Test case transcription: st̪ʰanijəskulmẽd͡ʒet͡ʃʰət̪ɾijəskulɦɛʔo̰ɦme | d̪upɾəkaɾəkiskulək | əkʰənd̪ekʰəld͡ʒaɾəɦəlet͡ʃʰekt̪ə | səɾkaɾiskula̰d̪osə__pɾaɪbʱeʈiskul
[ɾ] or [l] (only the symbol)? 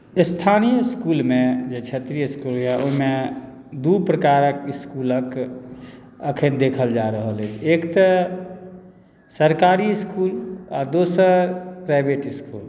ɾ